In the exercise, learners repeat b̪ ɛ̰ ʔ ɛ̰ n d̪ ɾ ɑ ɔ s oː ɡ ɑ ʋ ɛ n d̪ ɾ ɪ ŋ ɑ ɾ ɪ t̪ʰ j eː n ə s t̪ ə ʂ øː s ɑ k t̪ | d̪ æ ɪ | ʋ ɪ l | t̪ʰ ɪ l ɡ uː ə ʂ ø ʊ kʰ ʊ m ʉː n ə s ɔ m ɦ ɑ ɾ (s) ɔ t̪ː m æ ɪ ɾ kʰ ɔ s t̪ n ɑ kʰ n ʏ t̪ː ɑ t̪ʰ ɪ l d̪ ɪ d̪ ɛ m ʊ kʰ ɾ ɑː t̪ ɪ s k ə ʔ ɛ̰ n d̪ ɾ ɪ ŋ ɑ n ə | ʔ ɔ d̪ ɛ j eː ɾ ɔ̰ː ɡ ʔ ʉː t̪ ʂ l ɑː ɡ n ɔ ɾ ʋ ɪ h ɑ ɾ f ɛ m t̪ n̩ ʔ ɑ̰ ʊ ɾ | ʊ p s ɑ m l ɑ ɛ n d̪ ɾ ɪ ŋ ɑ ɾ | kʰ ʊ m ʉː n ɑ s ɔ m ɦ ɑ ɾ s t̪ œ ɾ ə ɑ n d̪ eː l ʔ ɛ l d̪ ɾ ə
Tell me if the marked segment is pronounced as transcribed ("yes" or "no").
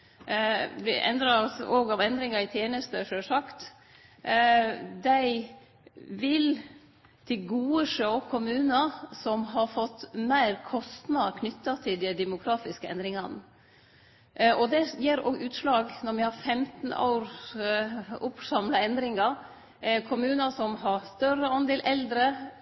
no